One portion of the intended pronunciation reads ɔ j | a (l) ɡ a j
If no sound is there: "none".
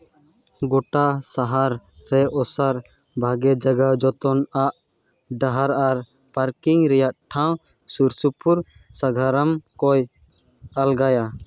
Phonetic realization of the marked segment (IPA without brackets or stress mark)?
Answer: l